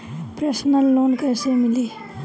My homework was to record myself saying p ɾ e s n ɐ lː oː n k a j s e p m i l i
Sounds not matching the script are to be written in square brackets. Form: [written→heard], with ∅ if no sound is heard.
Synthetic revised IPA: p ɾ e s n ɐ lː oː n k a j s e [p→∅] m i l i